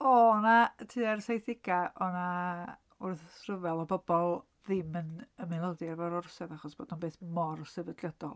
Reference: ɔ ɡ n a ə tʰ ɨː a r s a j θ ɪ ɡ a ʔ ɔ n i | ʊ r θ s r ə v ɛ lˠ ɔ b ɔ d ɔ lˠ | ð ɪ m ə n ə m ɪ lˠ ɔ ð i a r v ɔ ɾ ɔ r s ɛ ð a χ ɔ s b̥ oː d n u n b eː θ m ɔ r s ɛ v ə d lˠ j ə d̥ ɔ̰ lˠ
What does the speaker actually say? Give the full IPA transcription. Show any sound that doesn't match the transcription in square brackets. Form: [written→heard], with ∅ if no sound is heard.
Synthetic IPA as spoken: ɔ [ɡ→∅] n a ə tʰ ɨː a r s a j θ ɪ ɡ a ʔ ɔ n [i→a] | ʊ r θ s r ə v ɛ lˠ ɔ b ɔ [d→b] ɔ lˠ | ð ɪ m ə n ə m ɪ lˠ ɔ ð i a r v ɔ ɾ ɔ r s ɛ ð a χ ɔ s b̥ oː d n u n b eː θ m ɔ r s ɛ v ə d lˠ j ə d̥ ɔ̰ lˠ